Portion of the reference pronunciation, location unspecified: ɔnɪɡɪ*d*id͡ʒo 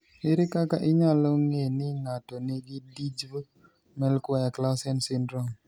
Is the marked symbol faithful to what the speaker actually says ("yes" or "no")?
yes